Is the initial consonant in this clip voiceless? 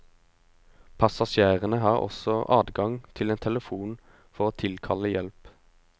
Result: yes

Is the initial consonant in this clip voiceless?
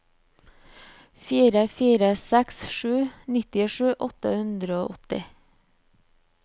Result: yes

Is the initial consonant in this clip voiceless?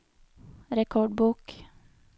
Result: no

